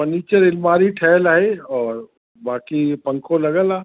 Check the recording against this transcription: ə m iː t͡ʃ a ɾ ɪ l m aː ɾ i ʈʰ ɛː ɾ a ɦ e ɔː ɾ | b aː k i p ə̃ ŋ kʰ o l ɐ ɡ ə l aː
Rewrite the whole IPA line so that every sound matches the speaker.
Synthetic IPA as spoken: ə n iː t͡ʃ ə ɾ ɪ l m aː ɾ i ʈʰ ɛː l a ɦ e ɔː ɾ | b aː k i p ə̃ ŋ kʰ o l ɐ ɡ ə l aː